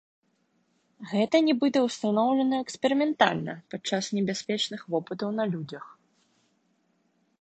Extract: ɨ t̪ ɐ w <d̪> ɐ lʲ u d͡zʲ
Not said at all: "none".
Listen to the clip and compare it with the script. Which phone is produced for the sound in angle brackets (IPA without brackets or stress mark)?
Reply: n̪